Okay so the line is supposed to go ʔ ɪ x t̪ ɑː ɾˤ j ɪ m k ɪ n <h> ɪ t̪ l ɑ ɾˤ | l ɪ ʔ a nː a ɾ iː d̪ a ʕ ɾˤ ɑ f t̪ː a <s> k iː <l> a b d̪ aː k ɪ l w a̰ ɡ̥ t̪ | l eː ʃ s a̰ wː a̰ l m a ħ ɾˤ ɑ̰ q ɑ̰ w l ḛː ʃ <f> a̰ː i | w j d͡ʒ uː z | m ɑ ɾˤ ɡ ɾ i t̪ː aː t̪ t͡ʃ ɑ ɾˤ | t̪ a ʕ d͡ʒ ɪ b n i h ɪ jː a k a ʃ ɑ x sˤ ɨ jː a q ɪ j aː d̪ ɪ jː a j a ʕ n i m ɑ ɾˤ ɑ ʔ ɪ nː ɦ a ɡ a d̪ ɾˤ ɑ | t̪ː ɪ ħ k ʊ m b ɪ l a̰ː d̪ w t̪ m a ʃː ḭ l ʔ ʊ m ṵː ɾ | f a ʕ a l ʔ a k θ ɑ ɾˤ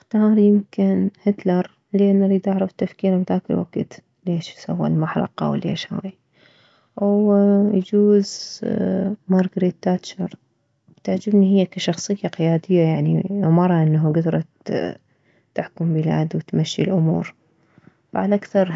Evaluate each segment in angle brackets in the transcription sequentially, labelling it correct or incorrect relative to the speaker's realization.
correct, incorrect: f, incorrect: ɾ, incorrect: h

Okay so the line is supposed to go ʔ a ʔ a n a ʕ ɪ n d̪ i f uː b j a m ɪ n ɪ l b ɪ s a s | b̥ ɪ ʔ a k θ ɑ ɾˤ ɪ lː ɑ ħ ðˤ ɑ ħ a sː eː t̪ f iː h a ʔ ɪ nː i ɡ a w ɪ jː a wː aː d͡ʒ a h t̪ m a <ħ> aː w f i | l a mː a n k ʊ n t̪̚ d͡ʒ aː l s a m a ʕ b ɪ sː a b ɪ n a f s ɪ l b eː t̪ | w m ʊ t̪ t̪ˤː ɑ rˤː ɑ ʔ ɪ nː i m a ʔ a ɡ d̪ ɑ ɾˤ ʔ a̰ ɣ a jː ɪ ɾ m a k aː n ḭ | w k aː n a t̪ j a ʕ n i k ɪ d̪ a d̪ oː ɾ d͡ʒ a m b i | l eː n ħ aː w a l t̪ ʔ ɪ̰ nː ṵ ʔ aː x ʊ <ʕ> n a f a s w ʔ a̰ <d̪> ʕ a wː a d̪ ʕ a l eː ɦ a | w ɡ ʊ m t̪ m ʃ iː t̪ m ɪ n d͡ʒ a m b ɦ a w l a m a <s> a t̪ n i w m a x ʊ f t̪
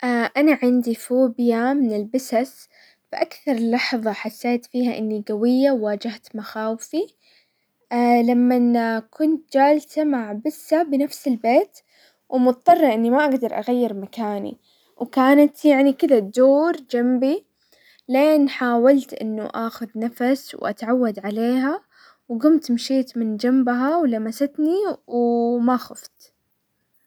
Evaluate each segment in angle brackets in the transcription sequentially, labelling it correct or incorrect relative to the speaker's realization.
incorrect: x, incorrect: ð, incorrect: t̪, correct

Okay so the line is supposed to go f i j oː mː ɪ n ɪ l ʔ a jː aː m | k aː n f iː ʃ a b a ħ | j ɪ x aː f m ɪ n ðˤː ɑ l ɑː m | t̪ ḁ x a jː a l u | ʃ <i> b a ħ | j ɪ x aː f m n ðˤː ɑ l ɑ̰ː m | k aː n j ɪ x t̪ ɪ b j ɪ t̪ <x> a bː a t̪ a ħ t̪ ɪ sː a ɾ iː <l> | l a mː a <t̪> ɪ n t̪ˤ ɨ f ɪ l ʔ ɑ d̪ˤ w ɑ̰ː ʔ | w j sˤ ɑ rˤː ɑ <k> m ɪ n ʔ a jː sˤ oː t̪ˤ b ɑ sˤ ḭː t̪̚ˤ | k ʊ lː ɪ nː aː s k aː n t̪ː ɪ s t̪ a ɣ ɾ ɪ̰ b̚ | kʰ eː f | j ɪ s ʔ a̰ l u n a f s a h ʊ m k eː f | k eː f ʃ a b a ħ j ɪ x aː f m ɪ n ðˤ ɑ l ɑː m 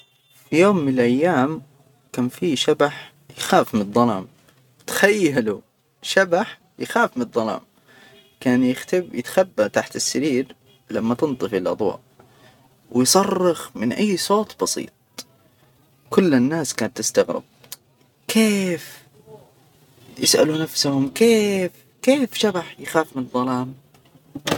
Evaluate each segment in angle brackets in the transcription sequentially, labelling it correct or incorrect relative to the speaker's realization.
incorrect: a, correct, incorrect: ɾ, correct, incorrect: x

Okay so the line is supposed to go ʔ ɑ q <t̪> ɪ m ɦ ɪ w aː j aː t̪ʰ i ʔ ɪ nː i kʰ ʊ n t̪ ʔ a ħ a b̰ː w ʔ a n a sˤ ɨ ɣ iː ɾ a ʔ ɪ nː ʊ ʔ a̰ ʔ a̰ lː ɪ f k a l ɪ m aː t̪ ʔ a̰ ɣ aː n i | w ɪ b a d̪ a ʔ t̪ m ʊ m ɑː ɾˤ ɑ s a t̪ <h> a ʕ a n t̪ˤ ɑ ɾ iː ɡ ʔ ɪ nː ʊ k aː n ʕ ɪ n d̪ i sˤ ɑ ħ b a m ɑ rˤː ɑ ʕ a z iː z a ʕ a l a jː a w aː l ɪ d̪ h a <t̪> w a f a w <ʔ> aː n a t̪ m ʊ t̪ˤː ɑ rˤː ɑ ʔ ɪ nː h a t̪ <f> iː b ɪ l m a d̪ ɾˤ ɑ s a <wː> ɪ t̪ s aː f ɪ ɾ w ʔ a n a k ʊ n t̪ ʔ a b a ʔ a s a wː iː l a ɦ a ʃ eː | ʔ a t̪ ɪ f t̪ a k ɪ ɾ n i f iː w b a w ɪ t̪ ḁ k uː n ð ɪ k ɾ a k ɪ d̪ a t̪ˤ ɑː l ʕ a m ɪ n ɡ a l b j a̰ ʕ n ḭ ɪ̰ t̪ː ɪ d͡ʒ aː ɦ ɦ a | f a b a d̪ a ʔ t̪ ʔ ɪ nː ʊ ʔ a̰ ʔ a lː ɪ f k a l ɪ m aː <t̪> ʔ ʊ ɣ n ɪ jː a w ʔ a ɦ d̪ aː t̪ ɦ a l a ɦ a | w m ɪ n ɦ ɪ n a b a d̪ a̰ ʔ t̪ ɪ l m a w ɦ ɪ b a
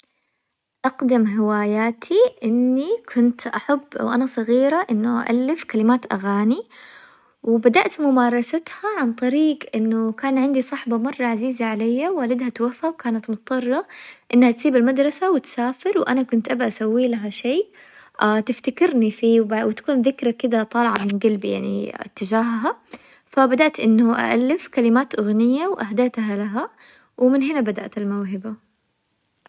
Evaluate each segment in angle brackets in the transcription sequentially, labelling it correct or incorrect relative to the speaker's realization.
incorrect: d̪, correct, correct, incorrect: k, incorrect: s, incorrect: w, correct

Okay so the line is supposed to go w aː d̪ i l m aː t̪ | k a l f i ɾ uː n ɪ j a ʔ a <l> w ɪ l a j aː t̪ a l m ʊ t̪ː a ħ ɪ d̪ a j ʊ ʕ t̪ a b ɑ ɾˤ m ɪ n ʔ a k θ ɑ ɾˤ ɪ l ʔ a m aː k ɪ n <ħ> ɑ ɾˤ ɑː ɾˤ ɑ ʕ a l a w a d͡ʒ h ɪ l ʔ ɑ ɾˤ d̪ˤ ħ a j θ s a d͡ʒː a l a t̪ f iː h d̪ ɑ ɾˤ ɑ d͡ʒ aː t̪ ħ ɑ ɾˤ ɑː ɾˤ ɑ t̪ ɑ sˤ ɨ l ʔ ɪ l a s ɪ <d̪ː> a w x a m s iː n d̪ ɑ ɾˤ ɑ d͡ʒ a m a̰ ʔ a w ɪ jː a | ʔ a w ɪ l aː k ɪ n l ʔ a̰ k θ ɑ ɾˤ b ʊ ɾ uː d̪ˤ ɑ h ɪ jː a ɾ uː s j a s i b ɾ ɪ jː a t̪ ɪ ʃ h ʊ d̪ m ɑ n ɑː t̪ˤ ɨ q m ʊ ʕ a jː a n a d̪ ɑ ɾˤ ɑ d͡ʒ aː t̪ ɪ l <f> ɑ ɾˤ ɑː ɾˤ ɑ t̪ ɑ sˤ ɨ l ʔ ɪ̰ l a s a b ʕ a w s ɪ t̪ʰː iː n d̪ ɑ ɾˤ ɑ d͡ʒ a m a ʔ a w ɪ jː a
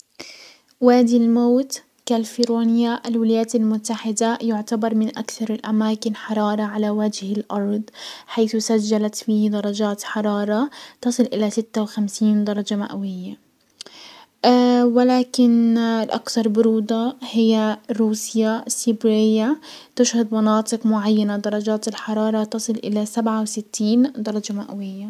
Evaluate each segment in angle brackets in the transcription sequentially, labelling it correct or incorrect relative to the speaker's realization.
correct, correct, incorrect: t̪ː, incorrect: ħ

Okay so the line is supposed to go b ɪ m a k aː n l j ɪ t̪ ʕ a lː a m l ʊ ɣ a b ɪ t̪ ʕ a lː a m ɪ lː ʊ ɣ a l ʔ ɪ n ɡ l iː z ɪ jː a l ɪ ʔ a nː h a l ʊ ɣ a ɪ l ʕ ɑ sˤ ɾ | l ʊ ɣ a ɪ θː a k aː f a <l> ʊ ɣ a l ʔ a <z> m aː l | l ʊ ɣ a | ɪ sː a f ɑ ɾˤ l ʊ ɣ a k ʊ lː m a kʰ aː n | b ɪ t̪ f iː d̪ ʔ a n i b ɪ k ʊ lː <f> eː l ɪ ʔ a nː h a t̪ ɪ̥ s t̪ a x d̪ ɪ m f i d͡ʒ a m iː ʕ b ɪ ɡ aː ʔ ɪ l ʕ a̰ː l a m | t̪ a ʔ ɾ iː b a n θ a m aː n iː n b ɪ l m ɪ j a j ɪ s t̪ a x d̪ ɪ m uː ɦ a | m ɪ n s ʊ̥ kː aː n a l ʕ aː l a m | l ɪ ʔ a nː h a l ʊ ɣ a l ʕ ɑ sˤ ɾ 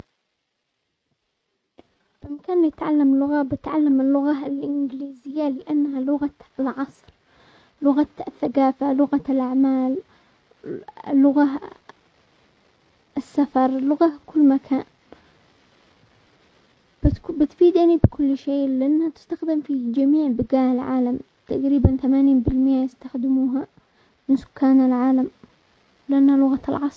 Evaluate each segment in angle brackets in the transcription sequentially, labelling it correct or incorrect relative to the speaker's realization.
correct, incorrect: ʕ, incorrect: ʃ

